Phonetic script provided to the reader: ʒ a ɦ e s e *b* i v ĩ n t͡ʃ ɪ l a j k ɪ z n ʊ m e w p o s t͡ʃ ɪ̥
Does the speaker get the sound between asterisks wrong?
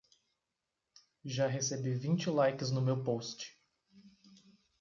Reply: no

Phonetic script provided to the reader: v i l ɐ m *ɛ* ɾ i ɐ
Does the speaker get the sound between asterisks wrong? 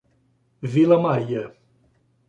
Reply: yes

